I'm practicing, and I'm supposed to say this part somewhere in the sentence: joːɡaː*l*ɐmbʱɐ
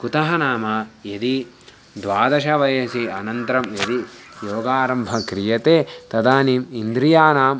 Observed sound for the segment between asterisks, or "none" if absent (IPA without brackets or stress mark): ɾ